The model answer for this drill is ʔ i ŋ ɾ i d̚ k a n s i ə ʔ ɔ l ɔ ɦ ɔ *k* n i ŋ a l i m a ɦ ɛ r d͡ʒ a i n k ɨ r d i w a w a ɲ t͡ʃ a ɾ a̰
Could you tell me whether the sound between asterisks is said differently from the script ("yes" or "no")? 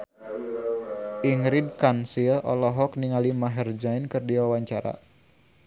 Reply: no